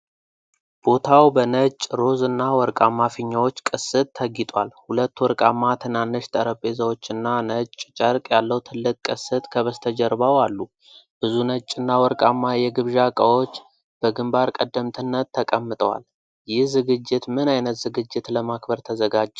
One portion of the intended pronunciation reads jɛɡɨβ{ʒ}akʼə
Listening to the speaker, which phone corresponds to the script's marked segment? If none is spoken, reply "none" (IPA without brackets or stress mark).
ʒ